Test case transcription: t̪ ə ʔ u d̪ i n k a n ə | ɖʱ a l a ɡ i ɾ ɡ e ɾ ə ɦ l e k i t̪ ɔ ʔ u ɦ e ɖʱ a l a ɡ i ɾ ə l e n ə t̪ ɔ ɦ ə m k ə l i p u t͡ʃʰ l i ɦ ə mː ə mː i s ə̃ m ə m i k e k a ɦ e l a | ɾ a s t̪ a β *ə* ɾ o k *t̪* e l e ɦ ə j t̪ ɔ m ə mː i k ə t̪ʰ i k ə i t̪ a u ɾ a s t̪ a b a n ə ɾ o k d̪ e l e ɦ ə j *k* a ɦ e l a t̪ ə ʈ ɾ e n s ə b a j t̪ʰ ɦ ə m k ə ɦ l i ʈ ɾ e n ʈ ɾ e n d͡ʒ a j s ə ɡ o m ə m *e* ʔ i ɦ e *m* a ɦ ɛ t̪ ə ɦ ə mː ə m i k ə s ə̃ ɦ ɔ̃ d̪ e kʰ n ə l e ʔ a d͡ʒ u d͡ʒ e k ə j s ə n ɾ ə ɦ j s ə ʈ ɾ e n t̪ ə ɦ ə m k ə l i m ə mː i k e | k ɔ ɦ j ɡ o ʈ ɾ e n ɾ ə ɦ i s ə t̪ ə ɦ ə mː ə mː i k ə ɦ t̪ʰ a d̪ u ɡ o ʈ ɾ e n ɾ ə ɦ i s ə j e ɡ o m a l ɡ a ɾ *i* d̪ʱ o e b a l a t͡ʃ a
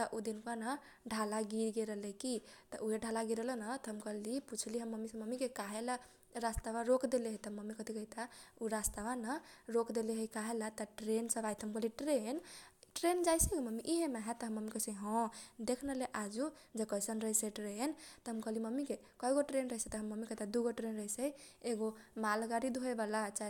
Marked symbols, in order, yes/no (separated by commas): no, no, yes, no, yes, yes